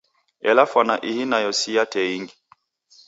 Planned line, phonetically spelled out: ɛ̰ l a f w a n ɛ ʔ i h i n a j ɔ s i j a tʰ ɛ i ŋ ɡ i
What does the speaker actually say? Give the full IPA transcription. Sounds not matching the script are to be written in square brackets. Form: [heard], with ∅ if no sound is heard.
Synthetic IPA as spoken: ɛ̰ l a f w a n [a] ʔ i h i n a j ɔ s i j a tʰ ɛ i ŋ ɡ i